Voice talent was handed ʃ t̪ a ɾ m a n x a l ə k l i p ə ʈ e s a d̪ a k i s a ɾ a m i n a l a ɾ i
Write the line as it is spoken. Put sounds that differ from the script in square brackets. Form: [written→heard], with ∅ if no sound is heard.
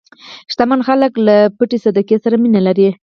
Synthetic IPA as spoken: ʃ t̪ a [ɾ→∅] m a n x a l ə k l [i→a] p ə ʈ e s a d̪ a k [i→e] s a ɾ a m i n a l a ɾ i